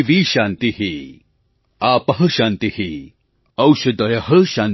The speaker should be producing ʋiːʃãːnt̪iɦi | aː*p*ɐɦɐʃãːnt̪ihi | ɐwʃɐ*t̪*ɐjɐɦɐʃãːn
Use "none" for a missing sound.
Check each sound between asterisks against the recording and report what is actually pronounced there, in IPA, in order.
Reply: p, d̪

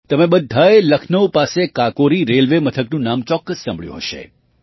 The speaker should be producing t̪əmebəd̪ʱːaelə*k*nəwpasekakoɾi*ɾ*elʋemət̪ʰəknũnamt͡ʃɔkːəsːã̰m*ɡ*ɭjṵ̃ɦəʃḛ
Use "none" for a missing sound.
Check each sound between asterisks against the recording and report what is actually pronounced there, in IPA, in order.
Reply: kʰ, ɾ, b

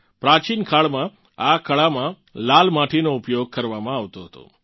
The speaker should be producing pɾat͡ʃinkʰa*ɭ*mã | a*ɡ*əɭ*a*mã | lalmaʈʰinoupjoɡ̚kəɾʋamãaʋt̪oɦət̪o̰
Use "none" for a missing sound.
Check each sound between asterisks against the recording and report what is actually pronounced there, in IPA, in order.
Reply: ɭ, k, a

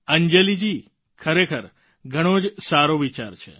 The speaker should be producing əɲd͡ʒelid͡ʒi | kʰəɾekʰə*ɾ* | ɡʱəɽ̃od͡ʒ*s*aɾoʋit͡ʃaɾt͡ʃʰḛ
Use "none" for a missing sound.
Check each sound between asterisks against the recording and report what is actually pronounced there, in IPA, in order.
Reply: ɾ, s

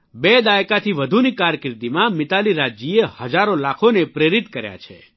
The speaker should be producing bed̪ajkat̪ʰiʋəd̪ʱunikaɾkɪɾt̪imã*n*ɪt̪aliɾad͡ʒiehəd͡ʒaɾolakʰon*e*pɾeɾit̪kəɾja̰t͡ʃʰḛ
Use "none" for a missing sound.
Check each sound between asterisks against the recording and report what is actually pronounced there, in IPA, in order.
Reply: m, e

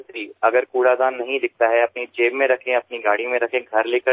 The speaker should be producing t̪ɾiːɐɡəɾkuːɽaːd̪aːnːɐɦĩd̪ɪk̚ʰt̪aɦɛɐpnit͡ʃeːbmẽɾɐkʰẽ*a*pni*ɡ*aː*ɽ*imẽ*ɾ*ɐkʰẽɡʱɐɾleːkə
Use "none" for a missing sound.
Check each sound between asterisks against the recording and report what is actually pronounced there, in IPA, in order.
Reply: ɐ, ɡ, ɽ, ɾ

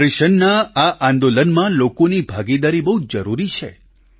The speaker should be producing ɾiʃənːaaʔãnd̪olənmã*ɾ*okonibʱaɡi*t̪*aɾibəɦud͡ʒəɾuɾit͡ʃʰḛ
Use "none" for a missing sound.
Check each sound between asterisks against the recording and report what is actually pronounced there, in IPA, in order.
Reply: l, d̪

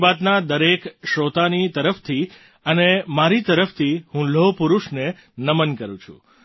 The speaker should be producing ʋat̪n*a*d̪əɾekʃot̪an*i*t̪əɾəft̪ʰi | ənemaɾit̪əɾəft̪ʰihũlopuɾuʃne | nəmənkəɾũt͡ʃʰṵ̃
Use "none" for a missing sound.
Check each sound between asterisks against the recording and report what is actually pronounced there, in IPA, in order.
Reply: a, i

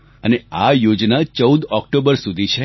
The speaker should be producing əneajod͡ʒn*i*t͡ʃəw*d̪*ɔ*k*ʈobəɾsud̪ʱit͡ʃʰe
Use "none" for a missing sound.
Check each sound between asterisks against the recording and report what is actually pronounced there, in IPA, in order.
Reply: a, d̪, k

